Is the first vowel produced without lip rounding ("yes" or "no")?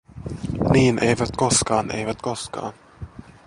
yes